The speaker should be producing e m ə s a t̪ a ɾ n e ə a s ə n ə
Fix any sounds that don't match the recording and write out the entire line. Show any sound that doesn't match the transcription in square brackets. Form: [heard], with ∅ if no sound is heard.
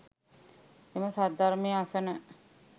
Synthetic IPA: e m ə s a [d̪] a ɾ [m] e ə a s ə n ə